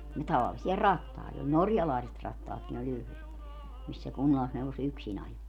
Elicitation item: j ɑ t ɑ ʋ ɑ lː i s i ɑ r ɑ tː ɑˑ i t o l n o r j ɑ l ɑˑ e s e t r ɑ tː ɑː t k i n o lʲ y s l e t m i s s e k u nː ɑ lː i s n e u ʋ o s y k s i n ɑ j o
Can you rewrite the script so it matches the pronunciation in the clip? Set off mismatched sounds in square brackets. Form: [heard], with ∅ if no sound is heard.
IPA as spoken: j ɑ t ɑ ʋ ɑ lː i s i ɑ r ɑ tː ɑˑ i t o l n o r j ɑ l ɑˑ [i] s e t r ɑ tː ɑː t k i n o lʲ y [h] l e t m i s s e k u nː ɑ lː i s n e u ʋ o s y k s i n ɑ j o